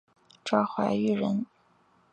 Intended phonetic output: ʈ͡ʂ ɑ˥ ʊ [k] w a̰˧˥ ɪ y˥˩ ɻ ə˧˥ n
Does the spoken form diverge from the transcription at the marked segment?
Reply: yes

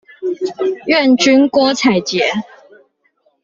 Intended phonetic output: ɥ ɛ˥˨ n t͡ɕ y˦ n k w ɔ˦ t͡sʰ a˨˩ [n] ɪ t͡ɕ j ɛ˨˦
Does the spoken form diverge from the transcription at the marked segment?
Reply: yes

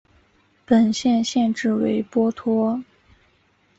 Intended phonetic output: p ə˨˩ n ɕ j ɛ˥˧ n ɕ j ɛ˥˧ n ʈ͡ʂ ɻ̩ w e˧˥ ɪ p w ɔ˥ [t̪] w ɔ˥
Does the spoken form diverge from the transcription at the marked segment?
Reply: yes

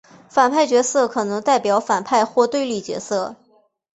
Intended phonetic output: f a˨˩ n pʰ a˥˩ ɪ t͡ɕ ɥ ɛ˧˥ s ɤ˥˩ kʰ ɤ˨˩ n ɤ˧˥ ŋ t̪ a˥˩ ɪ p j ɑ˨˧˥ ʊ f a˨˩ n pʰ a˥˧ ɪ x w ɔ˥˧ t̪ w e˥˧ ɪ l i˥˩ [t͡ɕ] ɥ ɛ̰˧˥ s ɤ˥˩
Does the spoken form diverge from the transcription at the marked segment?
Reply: no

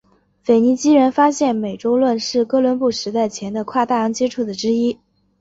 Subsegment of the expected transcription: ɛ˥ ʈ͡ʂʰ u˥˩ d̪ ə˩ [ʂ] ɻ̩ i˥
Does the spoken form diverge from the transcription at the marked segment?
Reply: yes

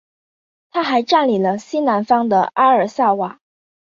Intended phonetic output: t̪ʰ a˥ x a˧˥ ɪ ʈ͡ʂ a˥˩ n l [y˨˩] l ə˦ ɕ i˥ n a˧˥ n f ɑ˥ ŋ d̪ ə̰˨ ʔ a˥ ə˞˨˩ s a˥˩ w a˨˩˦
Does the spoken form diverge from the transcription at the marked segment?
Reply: yes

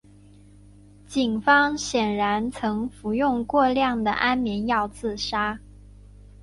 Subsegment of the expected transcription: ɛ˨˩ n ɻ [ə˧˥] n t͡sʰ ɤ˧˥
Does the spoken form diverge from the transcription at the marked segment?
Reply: yes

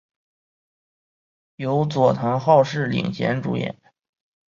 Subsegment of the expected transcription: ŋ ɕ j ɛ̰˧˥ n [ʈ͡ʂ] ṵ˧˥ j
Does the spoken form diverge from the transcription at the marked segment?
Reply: no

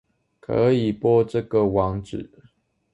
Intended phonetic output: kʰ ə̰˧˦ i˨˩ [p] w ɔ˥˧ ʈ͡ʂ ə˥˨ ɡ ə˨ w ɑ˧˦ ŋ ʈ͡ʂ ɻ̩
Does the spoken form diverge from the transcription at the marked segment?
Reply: no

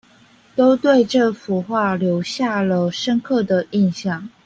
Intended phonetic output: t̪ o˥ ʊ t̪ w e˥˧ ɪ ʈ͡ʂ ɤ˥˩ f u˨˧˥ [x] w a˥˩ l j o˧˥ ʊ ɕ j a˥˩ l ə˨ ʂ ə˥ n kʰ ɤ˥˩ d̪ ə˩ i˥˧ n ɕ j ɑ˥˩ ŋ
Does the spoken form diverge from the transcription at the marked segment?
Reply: no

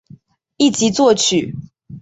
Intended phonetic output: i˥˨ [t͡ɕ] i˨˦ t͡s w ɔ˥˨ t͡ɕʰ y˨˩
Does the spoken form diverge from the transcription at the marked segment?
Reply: no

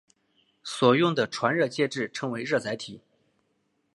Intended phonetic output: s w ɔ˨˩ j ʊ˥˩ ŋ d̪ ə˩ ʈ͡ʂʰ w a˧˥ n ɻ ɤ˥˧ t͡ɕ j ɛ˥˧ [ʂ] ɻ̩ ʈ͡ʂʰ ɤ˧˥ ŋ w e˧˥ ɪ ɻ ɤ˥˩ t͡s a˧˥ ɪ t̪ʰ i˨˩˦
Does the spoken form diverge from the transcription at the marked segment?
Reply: yes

